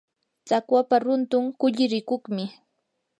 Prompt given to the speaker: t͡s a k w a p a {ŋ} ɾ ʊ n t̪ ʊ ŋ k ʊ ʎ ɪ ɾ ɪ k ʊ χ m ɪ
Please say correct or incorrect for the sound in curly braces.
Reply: incorrect